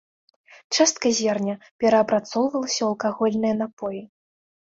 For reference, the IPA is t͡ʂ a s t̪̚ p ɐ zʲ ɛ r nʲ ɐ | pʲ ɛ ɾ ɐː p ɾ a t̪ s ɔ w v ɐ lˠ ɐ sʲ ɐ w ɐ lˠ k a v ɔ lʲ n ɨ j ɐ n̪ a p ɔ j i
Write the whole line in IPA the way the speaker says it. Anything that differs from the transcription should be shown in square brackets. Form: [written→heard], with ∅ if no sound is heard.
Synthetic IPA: t͡ʂ a s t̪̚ [p→k] ɐ zʲ ɛ r nʲ ɐ | pʲ ɛ ɾ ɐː p ɾ a t̪ s ɔ w v ɐ lˠ ɐ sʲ ɐ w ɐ lˠ k a [v→ɣ] ɔ lʲ n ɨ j ɐ n̪ a p ɔ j i